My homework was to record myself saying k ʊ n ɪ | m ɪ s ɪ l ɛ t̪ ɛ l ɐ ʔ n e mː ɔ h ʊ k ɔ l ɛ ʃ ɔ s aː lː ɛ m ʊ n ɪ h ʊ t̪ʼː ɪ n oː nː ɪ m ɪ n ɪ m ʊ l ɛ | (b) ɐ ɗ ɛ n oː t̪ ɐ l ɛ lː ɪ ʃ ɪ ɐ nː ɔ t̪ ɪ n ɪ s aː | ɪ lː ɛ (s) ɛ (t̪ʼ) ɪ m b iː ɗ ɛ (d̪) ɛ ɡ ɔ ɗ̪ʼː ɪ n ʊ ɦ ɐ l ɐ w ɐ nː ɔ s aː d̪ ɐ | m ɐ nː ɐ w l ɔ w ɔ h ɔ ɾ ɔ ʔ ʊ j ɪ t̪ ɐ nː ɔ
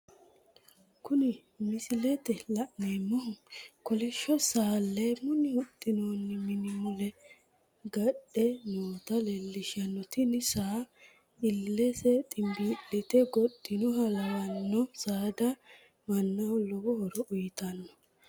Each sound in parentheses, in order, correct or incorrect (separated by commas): incorrect, correct, correct, incorrect